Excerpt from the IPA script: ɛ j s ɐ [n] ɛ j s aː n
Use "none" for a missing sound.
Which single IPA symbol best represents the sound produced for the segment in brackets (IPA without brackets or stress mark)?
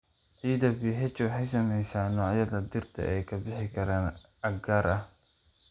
m